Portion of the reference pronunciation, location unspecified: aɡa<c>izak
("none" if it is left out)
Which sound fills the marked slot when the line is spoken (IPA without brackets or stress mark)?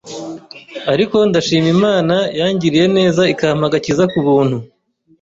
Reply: c